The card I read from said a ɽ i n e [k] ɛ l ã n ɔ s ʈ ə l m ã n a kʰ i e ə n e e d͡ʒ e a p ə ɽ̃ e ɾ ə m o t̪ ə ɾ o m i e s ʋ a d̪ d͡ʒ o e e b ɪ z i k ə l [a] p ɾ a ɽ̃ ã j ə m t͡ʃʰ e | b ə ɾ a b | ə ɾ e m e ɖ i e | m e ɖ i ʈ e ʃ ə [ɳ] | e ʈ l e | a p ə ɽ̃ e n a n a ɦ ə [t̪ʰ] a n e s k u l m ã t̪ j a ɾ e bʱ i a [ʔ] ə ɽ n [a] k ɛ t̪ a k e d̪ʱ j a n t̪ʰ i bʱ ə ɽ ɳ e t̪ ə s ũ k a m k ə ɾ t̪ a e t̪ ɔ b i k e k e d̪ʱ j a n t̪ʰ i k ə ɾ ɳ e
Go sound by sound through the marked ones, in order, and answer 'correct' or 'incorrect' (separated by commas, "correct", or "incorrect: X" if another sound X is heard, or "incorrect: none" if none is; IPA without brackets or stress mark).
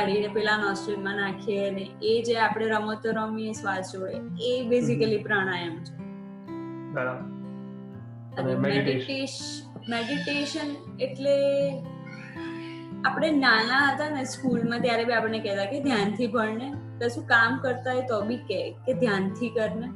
incorrect: p, incorrect: i, incorrect: n, incorrect: t̪, incorrect: p, incorrect: e